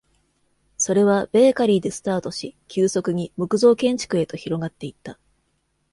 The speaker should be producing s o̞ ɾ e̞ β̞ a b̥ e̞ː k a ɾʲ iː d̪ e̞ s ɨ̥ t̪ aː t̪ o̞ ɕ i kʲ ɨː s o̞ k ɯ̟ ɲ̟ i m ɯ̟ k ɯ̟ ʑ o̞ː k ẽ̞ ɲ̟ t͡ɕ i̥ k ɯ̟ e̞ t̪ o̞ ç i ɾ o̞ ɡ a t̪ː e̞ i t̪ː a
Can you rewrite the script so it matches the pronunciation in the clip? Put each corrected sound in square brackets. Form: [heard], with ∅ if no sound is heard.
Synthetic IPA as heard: s o̞ ɾ e̞ β̞ a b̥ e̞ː k a ɾʲ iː d̪ e̞ s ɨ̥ t̪ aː t̪ o̞ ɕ i kʲ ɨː s o̞ k ɯ̟ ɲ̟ i m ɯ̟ k ɯ̟ [z] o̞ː k ẽ̞ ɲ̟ t͡ɕ i̥ k ɯ̟ e̞ t̪ o̞ ç i ɾ o̞ ɡ a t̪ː e̞ i t̪ː a